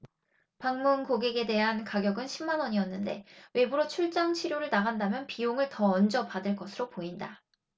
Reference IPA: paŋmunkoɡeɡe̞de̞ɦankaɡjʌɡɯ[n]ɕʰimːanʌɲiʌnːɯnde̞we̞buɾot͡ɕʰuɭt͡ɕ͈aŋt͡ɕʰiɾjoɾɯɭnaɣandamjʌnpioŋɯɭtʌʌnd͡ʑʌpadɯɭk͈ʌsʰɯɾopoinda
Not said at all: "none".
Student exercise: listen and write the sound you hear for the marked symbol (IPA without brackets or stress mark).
n